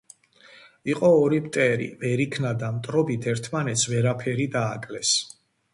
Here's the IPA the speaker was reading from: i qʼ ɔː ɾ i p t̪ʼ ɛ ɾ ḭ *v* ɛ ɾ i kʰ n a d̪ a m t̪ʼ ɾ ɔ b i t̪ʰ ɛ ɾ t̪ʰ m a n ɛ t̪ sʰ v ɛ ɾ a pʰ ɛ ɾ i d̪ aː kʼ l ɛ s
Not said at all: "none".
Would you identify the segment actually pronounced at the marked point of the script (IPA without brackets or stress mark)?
v